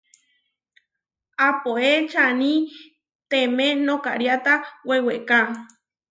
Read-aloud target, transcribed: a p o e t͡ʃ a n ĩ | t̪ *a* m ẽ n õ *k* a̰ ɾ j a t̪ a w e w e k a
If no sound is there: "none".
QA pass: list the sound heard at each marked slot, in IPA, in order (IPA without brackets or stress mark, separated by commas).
e, k